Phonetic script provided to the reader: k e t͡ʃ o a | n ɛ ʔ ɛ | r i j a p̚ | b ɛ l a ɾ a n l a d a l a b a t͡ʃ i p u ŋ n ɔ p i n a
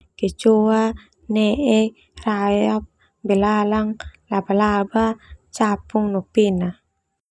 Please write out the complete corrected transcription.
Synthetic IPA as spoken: k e t͡ʃ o a | n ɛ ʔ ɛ | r a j a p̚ | b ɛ l a l a ŋ l a b a l a b a t͡ʃ a p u ŋ n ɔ p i n a